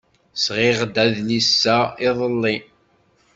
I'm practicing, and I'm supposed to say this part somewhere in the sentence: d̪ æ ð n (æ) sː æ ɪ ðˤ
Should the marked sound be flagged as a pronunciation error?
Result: yes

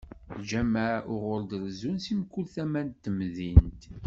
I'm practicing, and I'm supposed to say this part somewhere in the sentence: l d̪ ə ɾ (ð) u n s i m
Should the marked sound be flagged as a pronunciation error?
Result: yes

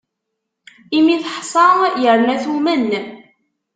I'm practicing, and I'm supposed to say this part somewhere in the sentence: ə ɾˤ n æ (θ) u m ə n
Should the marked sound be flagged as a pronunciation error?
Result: no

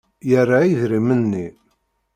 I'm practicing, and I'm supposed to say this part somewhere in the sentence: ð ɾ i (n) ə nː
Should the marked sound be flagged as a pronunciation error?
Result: yes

